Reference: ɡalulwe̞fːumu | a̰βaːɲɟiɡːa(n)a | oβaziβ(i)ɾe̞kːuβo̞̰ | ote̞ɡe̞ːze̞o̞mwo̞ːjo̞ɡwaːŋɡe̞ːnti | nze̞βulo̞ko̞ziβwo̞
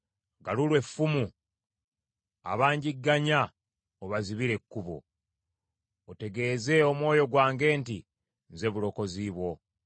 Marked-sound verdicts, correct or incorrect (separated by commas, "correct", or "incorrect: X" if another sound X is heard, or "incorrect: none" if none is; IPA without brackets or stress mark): incorrect: ɲ, correct